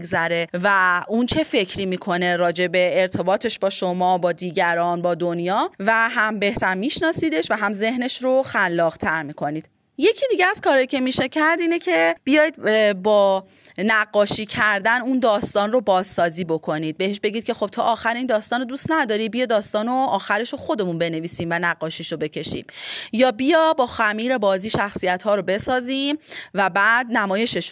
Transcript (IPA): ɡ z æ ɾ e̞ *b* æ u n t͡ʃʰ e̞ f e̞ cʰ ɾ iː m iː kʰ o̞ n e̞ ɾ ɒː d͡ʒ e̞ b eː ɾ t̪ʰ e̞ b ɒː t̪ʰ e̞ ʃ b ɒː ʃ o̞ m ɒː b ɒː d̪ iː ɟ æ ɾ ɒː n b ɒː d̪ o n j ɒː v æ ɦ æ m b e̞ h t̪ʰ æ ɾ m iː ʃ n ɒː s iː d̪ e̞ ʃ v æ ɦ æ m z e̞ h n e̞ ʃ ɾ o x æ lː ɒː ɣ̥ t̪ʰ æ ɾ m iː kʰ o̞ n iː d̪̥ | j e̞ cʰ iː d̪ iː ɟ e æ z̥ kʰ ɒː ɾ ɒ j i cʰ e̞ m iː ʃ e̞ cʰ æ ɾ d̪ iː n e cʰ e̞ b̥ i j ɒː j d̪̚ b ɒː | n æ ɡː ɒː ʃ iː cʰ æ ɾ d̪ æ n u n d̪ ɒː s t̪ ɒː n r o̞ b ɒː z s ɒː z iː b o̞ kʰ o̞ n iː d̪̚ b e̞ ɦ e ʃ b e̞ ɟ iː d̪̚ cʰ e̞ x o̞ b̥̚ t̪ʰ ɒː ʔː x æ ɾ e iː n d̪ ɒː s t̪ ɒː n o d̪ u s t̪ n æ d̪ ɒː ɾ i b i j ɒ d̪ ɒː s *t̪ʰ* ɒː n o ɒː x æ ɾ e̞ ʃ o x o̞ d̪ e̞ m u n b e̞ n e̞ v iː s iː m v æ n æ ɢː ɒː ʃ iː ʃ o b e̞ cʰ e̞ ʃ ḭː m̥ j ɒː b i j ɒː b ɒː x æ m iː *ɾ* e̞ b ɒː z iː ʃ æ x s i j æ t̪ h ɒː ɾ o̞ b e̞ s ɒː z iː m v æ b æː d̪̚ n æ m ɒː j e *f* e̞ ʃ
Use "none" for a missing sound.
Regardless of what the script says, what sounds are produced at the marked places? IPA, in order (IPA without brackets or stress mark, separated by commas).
v, t̪, ɾ, ʃ